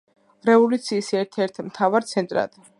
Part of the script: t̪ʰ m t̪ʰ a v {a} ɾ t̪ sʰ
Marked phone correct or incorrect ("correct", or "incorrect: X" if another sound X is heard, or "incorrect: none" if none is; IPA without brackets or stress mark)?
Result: correct